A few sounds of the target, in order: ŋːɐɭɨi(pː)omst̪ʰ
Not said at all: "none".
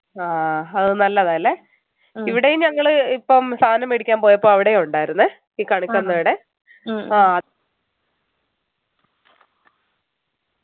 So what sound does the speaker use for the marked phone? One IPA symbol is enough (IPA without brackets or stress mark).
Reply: pː